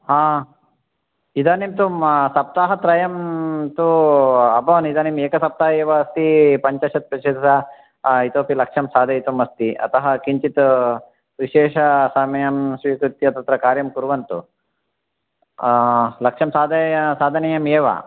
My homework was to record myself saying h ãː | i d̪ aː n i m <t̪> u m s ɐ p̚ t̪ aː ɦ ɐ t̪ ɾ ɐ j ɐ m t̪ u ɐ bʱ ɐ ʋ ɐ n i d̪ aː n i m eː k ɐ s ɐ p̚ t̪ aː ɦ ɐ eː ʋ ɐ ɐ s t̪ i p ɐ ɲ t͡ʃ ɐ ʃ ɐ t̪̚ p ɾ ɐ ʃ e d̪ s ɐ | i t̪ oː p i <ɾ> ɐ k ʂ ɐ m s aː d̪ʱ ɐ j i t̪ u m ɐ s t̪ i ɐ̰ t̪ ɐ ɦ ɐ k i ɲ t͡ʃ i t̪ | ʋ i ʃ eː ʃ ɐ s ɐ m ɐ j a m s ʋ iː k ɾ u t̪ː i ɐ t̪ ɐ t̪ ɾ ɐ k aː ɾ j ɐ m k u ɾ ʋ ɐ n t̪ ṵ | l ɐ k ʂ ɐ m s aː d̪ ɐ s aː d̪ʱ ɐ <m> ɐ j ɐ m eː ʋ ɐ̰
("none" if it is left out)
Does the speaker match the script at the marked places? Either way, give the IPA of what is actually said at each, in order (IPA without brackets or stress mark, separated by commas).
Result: t̪, l, n